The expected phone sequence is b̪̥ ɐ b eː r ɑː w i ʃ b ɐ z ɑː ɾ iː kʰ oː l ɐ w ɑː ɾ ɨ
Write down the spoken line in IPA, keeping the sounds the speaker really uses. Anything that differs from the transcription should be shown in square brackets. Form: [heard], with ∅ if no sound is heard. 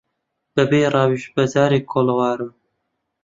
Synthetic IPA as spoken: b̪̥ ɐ b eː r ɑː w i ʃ b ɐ z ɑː ɾ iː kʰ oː l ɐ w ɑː ɾ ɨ